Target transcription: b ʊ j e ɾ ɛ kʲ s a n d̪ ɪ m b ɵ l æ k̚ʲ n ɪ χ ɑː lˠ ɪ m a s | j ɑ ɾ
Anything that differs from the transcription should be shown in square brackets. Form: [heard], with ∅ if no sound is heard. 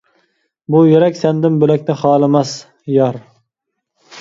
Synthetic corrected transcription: b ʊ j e ɾ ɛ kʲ s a n d̪ ɪ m b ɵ l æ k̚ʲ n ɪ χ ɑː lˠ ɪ m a s | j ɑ ɾ